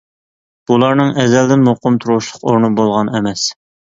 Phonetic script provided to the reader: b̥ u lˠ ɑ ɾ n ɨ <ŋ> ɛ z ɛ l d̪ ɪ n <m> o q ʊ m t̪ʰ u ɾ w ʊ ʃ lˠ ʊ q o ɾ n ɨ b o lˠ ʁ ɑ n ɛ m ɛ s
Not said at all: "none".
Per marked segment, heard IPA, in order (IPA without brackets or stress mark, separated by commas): ŋ, m